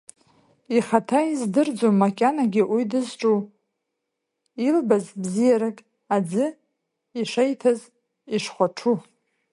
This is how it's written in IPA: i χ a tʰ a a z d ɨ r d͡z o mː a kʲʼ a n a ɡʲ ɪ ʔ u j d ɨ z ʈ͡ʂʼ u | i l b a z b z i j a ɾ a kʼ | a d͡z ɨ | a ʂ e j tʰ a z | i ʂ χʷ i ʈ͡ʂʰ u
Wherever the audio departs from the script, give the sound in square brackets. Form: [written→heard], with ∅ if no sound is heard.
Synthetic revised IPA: i χ a tʰ a [a→i] z d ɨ r d͡z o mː a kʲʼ a n a ɡʲ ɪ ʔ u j d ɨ z ʈ͡ʂʼ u | i l b a z b z i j a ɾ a kʼ | a d͡z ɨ | [a→i] ʂ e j tʰ a z | i ʂ χʷ [i→a] ʈ͡ʂʰ u